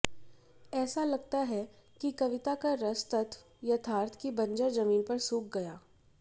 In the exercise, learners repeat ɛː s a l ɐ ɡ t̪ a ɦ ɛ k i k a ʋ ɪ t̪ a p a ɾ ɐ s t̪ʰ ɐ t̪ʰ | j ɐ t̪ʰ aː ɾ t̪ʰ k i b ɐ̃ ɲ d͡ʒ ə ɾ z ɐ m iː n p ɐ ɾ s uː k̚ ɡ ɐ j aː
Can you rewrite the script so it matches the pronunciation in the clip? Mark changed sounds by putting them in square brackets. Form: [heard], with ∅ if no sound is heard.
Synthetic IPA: ɛː s a l ɐ ɡ t̪ a ɦ ɛ k i k [ɐ] ʋ ɪ t̪ a [k] a ɾ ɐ s [t̪] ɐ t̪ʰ | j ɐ t̪ʰ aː ɾ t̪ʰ k i b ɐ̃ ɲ d͡ʒ ə ɾ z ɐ m iː n p ɐ ɾ s uː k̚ ɡ ɐ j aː